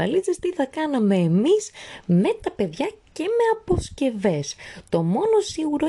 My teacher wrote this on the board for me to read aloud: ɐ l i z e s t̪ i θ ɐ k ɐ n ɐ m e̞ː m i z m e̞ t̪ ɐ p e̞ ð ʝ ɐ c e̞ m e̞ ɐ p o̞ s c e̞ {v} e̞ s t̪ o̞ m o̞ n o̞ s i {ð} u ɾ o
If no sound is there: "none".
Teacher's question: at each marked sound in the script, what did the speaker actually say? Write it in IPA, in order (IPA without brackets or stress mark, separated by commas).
v, ɣ